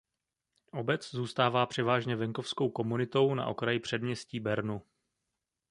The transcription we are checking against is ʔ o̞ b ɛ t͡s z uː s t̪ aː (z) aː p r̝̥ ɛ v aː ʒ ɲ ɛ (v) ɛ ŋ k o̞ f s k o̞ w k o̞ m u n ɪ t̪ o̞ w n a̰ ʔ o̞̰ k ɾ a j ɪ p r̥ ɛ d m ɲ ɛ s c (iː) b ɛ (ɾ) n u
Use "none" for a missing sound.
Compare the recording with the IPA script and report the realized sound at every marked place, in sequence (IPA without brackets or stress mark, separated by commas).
v, v, iː, ɾ